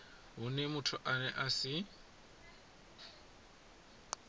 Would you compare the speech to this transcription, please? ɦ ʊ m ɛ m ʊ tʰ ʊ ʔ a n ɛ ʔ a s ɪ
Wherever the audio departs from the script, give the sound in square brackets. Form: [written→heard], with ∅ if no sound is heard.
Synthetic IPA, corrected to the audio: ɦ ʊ [m→n] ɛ m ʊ tʰ ʊ ʔ a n ɛ ʔ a s ɪ